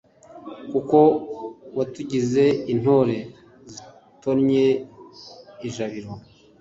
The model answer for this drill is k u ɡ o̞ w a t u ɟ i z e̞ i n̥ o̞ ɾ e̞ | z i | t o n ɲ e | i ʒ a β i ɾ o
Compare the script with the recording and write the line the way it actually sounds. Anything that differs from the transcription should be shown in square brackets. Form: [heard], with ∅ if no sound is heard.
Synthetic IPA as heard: k u [k] o̞ w a t u ɟ i z e̞ i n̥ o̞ ɾ e̞ | z i | t o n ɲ e | i ʒ a β i ɾ o